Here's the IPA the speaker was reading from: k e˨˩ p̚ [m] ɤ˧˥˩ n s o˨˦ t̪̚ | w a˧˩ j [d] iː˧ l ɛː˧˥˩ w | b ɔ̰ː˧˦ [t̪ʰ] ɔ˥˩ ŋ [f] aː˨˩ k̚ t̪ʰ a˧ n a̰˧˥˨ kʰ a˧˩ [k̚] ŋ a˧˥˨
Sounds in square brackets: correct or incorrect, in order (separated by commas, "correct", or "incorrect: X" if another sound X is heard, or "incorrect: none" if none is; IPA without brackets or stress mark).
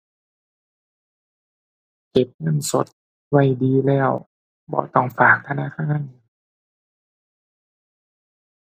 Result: incorrect: ŋ, correct, incorrect: t̪, correct, incorrect: none